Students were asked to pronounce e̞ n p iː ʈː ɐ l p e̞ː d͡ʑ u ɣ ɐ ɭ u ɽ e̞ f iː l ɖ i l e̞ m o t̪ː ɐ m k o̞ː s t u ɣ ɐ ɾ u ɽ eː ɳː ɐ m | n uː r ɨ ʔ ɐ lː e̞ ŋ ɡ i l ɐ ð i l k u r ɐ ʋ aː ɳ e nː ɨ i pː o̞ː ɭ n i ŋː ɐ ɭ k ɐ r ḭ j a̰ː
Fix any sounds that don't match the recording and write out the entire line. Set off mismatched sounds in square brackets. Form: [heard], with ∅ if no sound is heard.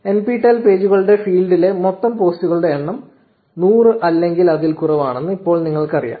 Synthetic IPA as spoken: e̞ n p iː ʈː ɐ l p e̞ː d͡ʑ u ɣ ɐ ɭ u ɽ e̞ f iː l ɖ i l e̞ m o t̪ː ɐ m [p] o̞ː s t u ɣ ɐ [ɭ] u ɽ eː ɳː ɐ m | n uː r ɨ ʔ ɐ lː e̞ ŋ ɡ i l ɐ ð i l k u r ɐ ʋ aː ɳ e nː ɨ i pː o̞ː ɭ n i ŋː ɐ ɭ k ɐ r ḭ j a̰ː